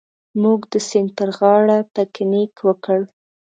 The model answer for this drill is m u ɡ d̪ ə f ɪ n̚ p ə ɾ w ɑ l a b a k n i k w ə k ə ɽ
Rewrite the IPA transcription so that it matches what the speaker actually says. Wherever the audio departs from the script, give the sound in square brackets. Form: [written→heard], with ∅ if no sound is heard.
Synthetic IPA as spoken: m u ɡ d̪ ə [f→s] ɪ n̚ p ə ɾ [w→ɣ] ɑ [l→ɽ] a [b→p] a k n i k w ə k ə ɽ